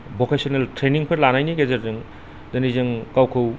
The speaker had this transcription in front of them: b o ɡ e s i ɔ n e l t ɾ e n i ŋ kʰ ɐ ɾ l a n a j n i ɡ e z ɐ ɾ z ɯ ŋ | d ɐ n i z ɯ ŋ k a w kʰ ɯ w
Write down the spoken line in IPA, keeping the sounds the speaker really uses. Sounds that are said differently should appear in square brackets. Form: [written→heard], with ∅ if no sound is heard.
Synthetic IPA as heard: b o [ɡ→k] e s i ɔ n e l t ɾ e n i ŋ [kʰ→pʰ] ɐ ɾ l a n a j n i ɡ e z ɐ ɾ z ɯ ŋ | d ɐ n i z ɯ ŋ k a w kʰ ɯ w